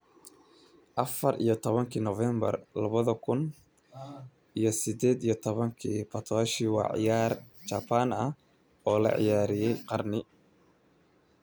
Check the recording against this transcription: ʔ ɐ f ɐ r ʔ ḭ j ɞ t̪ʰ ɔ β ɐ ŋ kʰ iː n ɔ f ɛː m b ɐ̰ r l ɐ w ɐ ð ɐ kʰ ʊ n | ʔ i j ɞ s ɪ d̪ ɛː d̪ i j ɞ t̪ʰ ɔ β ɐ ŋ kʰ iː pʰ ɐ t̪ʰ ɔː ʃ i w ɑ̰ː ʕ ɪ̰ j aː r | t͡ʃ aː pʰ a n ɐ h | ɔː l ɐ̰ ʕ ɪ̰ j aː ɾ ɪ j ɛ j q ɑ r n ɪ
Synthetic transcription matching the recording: ʔ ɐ f ɐ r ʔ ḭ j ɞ t̪ʰ ɔ β ɐ ŋ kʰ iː n ɔ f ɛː m b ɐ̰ r l ɐ β ɐ ð ɐ kʰ ʊ n | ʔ i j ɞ s ɪ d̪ ɛː d̪ i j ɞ t̪ʰ ɔ β ɐ ŋ kʰ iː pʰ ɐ t̪ʰ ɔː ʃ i w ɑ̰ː ʕ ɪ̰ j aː r | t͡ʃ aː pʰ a n ɐ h | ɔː l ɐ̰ ʕ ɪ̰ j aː ɾ ɪ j ɛ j q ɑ r n ɪ